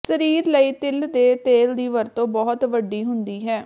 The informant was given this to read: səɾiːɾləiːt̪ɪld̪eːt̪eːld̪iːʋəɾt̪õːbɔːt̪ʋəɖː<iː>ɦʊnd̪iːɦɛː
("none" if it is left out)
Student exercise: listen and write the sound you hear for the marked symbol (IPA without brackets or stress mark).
iː